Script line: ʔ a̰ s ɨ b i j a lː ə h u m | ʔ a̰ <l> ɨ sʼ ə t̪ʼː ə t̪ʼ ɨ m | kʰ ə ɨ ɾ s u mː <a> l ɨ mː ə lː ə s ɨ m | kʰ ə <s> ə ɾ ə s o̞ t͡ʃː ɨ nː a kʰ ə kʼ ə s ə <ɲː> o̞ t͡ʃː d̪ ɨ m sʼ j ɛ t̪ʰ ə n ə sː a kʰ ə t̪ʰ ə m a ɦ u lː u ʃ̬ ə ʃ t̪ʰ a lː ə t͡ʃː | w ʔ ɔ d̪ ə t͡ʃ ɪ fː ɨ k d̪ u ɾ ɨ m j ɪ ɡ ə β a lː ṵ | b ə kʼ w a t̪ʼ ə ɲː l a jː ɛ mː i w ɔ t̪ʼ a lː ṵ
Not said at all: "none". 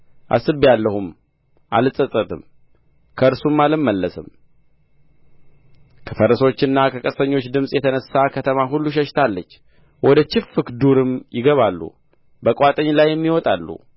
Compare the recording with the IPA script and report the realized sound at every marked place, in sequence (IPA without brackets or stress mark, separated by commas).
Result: l, a, f, ɲː